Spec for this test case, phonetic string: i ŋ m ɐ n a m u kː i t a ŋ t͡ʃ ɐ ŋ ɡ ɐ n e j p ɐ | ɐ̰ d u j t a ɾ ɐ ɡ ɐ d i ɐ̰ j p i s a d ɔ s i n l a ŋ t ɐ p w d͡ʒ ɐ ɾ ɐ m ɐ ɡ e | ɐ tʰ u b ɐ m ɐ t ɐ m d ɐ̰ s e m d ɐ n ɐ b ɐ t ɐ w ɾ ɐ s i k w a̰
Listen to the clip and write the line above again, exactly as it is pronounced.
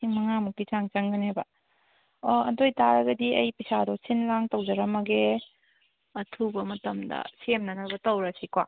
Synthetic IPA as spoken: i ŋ m ɐ ŋ a m u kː i t͡ʃ a ŋ t͡ʃ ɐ ŋ ɡ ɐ n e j b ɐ | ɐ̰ d o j t a ɾ ɐ ɡ ɐ d i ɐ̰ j p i s a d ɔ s i n l a ŋ t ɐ w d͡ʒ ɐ ɾ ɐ m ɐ ɡ e | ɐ tʰ u b ɐ m ɐ t ɐ m d ɐ̰ s e m n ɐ n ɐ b ɐ t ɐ w ɾ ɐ s i k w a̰